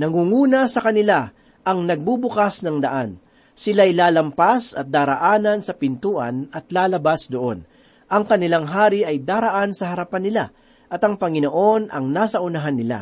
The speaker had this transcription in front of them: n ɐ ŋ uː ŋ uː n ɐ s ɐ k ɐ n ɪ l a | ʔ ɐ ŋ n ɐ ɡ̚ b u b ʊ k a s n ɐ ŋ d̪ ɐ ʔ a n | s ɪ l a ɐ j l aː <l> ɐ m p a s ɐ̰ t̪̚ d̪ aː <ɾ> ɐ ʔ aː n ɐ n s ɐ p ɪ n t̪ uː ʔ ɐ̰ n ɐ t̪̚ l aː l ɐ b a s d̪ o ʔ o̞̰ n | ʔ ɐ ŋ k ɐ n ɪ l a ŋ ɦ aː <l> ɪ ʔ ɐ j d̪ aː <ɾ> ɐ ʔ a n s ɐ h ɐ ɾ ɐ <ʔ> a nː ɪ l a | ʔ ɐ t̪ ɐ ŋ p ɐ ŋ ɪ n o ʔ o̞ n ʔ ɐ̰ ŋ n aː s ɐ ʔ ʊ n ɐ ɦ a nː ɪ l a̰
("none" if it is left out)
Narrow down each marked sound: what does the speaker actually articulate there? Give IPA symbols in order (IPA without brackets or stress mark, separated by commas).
l, ɾ, ɾ, ɾ, p